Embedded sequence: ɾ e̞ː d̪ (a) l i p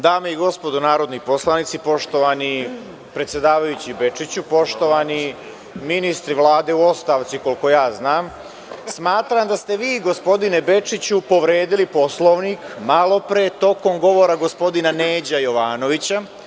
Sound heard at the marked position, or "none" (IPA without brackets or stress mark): i